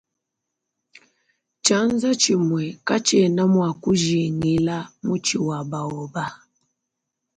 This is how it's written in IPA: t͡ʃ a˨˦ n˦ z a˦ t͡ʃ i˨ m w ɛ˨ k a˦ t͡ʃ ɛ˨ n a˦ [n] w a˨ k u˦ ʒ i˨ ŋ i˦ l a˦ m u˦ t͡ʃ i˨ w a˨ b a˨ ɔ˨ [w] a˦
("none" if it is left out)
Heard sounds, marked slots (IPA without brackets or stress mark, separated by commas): m, b